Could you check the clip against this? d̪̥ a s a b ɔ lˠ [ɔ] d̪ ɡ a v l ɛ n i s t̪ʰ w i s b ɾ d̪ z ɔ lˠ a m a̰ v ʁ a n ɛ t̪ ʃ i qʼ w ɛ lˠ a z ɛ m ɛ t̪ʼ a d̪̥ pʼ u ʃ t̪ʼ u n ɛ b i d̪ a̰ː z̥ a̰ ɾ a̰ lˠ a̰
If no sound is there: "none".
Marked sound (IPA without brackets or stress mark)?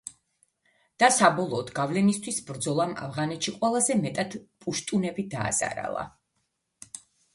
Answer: ɔː